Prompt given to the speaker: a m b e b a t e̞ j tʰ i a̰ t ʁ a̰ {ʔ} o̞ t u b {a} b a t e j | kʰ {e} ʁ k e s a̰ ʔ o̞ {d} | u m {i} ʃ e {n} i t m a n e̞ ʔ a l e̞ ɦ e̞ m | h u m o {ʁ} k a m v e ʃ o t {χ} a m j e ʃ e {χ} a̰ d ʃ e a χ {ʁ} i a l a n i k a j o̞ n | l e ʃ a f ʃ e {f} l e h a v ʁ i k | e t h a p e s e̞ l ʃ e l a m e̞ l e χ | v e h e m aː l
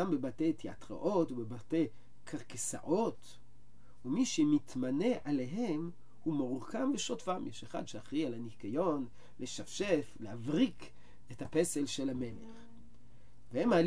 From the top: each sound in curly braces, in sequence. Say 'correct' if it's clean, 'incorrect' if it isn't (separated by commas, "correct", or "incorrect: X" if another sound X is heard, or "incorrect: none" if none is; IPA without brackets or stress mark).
correct, incorrect: e, incorrect: a, incorrect: t, correct, incorrect: m, correct, incorrect: f, correct, correct, correct